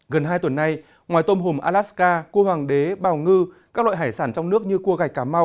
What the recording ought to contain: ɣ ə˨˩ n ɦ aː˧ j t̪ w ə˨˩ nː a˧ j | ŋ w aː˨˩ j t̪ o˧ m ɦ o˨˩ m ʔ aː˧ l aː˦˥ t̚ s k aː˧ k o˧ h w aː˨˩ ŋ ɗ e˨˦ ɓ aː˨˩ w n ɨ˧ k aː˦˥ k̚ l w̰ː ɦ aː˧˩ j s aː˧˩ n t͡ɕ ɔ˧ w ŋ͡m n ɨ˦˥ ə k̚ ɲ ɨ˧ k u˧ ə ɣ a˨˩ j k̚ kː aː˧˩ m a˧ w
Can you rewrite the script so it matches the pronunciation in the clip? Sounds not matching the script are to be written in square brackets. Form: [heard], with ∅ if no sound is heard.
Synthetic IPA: ɣ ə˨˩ n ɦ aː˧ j t̪ w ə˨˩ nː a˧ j | ŋ w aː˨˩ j t̪ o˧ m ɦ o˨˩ m ʔ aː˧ l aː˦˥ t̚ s k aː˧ k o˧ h w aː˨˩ ŋ ɗ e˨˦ ɓ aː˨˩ w [ŋ] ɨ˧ k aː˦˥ k̚ l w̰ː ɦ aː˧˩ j s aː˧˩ n t͡ɕ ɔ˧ w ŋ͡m n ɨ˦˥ ə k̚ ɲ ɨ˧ k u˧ ə ɣ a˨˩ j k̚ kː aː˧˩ m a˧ w